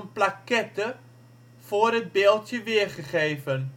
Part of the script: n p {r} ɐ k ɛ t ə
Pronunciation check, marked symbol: incorrect: l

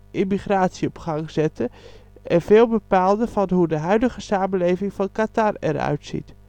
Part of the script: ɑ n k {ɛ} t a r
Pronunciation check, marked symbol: incorrect: a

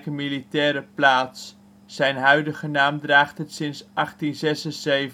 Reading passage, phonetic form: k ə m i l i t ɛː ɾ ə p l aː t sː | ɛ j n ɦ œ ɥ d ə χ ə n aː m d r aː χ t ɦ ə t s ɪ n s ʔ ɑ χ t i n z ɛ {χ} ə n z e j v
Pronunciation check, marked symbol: incorrect: s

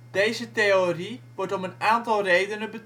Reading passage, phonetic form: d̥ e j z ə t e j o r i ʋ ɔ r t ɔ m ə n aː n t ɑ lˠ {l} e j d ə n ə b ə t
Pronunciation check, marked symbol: incorrect: r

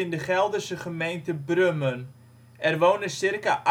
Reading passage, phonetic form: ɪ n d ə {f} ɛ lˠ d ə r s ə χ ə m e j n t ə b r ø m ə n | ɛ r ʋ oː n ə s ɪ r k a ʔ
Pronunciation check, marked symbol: incorrect: χ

